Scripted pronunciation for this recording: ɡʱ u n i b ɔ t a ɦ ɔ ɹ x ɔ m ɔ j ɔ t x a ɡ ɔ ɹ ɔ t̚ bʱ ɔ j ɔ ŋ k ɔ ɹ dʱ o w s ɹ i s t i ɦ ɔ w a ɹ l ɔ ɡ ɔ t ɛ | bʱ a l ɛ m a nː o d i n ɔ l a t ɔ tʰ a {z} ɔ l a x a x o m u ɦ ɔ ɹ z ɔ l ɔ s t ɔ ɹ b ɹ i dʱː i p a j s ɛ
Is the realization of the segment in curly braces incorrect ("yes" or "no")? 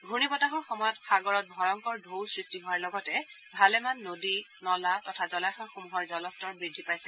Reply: no